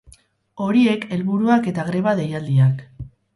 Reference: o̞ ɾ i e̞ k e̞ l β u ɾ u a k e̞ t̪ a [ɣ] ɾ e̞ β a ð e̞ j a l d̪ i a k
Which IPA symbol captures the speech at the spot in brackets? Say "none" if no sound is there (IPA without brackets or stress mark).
ɣ